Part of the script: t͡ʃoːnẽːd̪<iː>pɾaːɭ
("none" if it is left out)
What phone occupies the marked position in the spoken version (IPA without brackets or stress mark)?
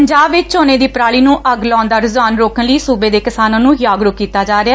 iː